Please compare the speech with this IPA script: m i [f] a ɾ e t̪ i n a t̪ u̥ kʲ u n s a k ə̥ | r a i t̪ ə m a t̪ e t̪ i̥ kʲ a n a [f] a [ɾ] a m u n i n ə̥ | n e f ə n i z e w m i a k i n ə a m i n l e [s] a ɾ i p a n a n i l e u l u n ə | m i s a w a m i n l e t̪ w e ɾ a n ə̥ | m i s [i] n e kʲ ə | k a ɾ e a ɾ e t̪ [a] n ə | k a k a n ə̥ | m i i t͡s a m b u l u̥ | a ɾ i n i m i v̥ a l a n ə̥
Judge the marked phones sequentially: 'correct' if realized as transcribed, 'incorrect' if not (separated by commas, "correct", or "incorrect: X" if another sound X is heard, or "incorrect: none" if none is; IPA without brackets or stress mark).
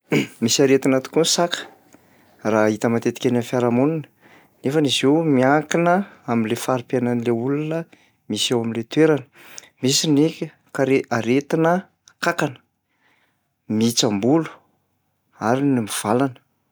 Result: incorrect: s, correct, correct, incorrect: f, correct, incorrect: i